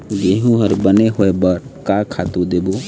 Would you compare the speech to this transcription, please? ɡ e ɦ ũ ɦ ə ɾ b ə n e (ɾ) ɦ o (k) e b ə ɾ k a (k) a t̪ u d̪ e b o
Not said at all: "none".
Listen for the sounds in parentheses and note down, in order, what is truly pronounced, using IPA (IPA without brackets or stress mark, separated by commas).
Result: none, none, kʰ